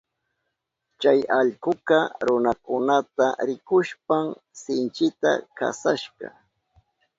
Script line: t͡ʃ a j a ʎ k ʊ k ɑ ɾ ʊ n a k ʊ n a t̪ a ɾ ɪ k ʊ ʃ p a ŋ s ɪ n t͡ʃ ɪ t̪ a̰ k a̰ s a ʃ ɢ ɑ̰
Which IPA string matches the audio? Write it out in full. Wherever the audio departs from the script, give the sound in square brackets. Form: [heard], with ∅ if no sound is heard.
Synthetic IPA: t͡ʃ a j a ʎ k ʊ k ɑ ɾ ʊ n a k ʊ n a t̪ a ɾ ɪ k ʊ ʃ p a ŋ s ɪ n t͡ʃ ɪ t̪ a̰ k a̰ s a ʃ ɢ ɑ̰